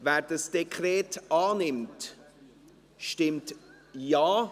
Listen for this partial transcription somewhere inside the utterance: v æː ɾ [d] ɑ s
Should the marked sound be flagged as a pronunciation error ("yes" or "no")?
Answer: no